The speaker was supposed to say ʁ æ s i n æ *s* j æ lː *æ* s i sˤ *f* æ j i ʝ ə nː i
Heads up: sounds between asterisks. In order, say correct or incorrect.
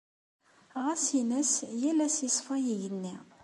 correct, correct, correct

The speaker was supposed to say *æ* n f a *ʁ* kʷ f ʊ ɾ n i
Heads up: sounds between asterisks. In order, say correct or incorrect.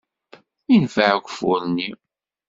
incorrect, incorrect

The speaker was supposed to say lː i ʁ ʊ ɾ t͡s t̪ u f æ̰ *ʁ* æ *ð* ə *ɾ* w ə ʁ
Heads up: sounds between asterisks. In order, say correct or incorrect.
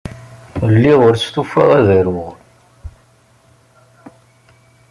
correct, correct, correct

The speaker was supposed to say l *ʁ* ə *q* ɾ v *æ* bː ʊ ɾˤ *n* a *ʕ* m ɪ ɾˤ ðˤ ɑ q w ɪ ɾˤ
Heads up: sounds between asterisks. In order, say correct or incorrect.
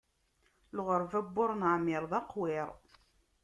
correct, incorrect, correct, correct, correct

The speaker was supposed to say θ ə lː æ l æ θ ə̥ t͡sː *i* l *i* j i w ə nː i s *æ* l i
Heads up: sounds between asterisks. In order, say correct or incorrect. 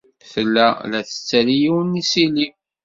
incorrect, correct, incorrect

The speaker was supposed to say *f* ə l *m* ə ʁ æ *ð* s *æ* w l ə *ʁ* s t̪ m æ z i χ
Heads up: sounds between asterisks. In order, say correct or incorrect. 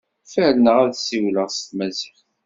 correct, incorrect, correct, incorrect, correct

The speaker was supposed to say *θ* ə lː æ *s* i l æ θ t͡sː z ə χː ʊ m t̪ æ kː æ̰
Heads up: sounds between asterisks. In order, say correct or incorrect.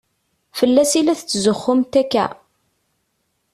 incorrect, correct

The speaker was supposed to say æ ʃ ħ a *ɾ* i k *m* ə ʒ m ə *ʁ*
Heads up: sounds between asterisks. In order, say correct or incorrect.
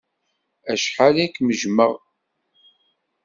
incorrect, correct, correct

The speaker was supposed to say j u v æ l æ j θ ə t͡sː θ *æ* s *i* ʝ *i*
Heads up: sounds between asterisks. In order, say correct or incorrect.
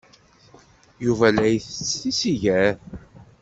incorrect, correct, incorrect

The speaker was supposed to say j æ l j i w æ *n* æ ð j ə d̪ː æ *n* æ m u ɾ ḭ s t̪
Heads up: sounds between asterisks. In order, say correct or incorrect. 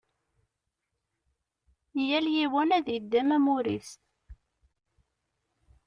correct, incorrect

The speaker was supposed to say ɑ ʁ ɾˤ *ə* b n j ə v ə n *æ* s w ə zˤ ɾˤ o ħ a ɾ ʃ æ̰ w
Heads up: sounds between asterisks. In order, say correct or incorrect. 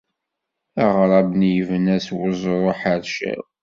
incorrect, correct

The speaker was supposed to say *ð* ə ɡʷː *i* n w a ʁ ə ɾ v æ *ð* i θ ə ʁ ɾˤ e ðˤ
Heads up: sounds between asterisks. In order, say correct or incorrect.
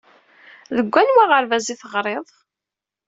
correct, incorrect, incorrect

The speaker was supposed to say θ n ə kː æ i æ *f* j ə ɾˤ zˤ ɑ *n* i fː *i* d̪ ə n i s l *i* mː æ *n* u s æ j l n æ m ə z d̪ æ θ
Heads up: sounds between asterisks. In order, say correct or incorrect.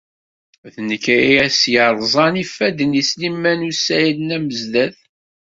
incorrect, correct, incorrect, correct, correct

